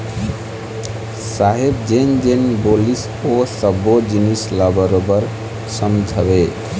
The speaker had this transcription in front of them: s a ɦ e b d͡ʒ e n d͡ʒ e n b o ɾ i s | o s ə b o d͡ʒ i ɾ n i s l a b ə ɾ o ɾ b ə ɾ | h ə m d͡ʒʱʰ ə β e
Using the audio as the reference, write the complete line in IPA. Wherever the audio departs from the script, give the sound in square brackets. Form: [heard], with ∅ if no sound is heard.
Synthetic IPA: s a ɦ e b d͡ʒ e n d͡ʒ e n b o [l] i s | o s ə b o d͡ʒ i [∅] n i s l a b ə ɾ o [∅] b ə ɾ | [s] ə m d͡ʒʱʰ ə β e